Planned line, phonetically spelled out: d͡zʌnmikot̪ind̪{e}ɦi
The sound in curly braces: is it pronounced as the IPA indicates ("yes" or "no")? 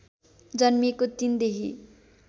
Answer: yes